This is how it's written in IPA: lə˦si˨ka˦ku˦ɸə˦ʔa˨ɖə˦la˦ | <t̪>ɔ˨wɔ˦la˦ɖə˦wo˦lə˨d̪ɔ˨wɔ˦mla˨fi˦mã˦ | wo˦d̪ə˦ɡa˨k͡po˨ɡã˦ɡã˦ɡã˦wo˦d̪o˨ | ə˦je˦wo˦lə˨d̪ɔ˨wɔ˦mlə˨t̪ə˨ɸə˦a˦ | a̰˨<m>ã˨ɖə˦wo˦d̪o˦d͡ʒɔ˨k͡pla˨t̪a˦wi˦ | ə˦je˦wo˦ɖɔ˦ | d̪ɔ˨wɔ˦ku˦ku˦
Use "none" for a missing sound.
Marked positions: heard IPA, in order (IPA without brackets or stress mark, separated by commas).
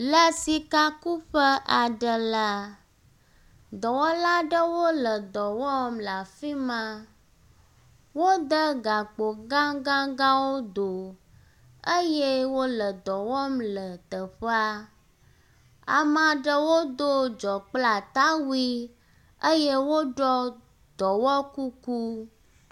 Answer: d̪, m